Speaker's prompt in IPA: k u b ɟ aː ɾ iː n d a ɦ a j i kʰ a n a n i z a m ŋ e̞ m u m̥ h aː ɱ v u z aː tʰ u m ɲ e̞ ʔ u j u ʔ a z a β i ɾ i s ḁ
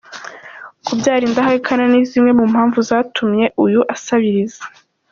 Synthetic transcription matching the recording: k u b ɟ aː ɾ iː n d a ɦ a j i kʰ a n a n i z i m ŋ e̞ m u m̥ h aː ɱ v u z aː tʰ u m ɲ e̞ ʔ u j u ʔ a s a β i ɾ i z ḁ